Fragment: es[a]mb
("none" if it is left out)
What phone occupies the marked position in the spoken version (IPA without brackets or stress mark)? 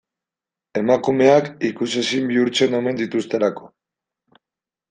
i